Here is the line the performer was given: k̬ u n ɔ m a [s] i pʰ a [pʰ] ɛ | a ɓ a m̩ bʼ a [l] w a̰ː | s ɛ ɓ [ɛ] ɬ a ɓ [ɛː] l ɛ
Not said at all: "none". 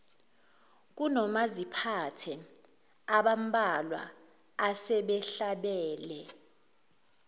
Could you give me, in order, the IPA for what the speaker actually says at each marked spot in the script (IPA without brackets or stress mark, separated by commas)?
z, tʰ, l, ɛ, ɛː